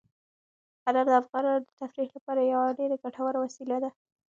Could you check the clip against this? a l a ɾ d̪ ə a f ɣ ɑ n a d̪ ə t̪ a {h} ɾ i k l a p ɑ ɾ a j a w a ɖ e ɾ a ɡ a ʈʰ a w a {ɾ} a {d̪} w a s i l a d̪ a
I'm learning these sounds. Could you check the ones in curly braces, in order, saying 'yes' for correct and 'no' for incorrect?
no, yes, no

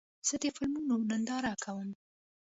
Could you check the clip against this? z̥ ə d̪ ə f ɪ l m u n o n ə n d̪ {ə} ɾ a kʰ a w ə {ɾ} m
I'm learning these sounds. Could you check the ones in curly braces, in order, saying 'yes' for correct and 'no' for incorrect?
no, no

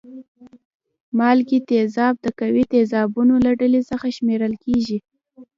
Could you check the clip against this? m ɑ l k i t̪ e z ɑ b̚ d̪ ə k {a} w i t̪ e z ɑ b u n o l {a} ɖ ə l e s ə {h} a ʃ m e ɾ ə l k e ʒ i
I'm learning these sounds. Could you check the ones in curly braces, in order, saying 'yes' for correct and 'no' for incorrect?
yes, yes, no

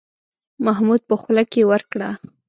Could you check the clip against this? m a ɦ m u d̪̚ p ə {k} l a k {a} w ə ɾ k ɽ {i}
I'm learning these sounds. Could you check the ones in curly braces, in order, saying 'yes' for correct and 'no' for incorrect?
no, no, no

